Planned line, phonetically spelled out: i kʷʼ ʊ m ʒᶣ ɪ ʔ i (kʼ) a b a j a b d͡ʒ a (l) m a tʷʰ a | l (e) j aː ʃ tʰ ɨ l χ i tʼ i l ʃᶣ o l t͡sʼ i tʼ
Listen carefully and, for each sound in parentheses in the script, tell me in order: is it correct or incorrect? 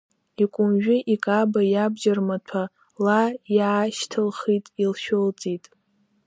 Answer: correct, incorrect: r, incorrect: a

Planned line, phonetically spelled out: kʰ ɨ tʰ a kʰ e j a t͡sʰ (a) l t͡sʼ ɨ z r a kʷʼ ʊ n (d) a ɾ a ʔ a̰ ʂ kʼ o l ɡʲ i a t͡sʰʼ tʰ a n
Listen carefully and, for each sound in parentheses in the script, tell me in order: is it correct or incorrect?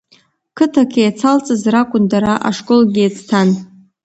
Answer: correct, correct

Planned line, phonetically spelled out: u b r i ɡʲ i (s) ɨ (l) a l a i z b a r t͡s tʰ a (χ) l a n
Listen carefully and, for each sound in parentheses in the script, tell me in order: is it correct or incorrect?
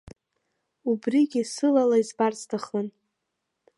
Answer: correct, correct, correct

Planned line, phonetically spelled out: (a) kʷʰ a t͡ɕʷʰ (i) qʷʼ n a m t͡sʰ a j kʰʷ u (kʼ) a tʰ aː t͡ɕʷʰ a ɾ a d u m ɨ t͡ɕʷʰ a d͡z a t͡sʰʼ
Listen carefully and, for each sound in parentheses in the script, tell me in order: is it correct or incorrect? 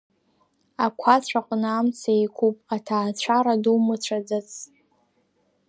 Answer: correct, incorrect: a, incorrect: pʼ

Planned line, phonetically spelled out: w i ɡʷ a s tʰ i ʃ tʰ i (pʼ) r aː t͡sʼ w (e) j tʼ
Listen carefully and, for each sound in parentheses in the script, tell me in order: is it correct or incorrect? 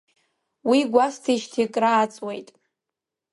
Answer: incorrect: kʼ, correct

